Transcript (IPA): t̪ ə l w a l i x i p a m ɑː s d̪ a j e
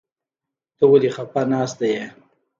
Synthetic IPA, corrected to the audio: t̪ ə w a l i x a p a n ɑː s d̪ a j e